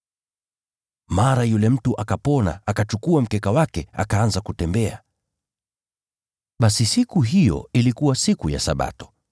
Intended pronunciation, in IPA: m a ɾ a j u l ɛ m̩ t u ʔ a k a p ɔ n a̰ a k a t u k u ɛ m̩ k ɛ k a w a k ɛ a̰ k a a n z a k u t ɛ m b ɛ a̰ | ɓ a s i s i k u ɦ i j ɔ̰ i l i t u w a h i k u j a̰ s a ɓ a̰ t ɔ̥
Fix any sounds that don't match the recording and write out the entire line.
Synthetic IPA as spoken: m a ɾ a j u l ɛ m̩ t u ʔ a k a p ɔ n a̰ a k a t͡ʃ u k u a m̩ k ɛ k a w a k ɛ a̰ k a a n z a k u t ɛ m b ɛ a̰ | ɓ a s i s i k u ɦ i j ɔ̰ i l i k u w a s i k u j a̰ s a ɓ a̰ t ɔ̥